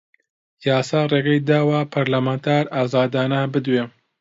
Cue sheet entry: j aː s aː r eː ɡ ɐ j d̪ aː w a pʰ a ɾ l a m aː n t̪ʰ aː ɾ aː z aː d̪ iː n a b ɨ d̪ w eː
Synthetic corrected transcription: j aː s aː r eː ɡ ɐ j d̪ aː w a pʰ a ɾ l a m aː n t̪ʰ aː ɾ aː z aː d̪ aː n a b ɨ d̪ w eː